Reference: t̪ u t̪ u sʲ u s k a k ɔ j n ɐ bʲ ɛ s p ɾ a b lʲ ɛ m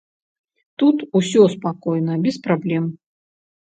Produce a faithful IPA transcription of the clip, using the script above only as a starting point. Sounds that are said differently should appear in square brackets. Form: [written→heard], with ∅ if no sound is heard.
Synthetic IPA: t̪ u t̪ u sʲ [u→ɔ] s [k→p] a k ɔ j n ɐ bʲ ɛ s p ɾ a b lʲ ɛ m

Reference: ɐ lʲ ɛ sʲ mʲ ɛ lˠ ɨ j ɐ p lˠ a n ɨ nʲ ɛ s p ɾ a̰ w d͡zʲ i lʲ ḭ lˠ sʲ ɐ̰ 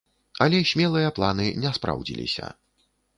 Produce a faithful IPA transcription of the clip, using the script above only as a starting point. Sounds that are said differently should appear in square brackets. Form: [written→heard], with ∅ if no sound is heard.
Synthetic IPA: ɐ lʲ ɛ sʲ mʲ ɛ lˠ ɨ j ɐ p lˠ a n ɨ nʲ ɛ s p ɾ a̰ w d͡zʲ i lʲ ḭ [lˠ→∅] sʲ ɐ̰

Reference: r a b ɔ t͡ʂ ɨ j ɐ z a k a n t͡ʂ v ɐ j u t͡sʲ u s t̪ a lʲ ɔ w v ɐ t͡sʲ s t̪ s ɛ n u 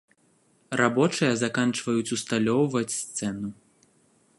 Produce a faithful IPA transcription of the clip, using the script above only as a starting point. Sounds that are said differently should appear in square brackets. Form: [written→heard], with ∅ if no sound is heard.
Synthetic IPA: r a b ɔ t͡ʂ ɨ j ɐ z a k a n t͡ʂ v ɐ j u t͡sʲ u s t̪ a lʲ ɔ w v ɐ t͡sʲ s t̪ s ɛ n u

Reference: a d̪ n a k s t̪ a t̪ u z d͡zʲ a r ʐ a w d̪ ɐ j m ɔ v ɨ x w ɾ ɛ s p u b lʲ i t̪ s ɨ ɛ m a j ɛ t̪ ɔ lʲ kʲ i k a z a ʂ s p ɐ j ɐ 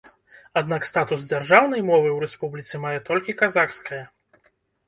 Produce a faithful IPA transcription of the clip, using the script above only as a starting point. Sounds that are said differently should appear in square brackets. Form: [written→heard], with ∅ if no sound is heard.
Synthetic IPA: a d̪ n a k s t̪ a t̪ u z d͡zʲ a r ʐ a w [d̪→n̪] ɐ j m ɔ v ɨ [x→∅] w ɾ ɛ s p u b lʲ i t̪ s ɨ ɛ m a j ɛ t̪ ɔ lʲ kʲ i k a z a [ʂ→x] s [p→k] ɐ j ɐ

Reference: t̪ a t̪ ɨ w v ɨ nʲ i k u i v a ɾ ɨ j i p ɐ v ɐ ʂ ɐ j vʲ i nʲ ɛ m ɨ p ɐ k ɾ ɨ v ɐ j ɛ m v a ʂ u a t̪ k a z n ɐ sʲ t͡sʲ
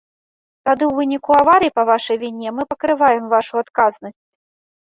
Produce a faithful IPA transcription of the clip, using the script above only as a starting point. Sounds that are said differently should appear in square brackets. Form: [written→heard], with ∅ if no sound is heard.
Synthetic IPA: t̪ a [t̪→d̪] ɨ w v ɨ nʲ i k u [i→a] v a ɾ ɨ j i p ɐ v [ɐ→a] ʂ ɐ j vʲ i nʲ ɛ m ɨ p ɐ k ɾ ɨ v [ɐ→a] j ɛ m v a ʂ u a t̪ k a z n ɐ sʲ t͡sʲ

